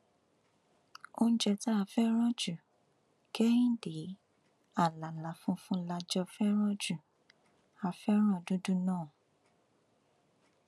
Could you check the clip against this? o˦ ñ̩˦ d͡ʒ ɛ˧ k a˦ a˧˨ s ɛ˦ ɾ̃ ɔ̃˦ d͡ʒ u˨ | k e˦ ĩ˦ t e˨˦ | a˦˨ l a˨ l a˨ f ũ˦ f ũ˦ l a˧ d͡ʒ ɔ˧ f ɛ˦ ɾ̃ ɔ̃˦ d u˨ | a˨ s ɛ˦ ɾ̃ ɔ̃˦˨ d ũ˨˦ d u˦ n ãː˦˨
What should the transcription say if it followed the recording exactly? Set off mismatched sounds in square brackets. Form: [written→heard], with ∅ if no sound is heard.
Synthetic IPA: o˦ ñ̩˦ d͡ʒ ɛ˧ [k→t] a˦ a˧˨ [s→f] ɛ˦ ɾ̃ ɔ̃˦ d͡ʒ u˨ | k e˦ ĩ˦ [t→d] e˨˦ | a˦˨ l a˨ l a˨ f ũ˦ f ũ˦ l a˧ d͡ʒ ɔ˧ f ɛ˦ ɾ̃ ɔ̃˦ [d→d͡ʒ] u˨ | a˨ [s→f] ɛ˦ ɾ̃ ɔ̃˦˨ d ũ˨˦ d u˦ n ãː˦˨